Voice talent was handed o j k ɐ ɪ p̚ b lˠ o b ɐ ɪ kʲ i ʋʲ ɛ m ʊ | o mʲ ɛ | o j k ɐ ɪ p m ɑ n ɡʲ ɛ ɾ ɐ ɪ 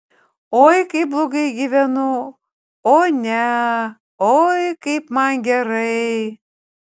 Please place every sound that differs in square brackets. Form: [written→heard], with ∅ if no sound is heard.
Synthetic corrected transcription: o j k ɐ ɪ p̚ b lˠ o [b→ɡ] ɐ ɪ [kʲ→ɡʲ] i ʋʲ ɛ [m→n] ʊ | o [mʲ→nʲ] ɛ | o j k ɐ ɪ p m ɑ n ɡʲ ɛ ɾ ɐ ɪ